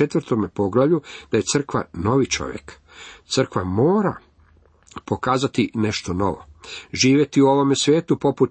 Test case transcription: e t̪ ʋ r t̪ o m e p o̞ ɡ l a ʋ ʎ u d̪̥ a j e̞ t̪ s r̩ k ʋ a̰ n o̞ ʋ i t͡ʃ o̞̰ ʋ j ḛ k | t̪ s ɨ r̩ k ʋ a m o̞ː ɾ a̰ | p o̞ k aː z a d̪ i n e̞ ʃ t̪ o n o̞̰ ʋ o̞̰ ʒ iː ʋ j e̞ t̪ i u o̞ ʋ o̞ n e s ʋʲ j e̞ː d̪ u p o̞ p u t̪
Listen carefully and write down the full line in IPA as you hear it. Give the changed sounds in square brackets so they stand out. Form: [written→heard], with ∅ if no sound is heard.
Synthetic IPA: e t̪ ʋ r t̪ o m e p o̞ ɡ l a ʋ ʎ u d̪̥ a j e̞ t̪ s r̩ k ʋ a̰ n o̞ ʋ i t͡ʃ o̞̰ ʋ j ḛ k | t̪ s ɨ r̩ k ʋ a m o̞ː ɾ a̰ | p o̞ k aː z a [d̪→t̪] i n e̞ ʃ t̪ o n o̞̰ ʋ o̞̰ ʒ iː ʋ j e̞ t̪ i u o̞ ʋ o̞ [n→m] e s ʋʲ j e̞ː [d̪→t̪] u p o̞ p u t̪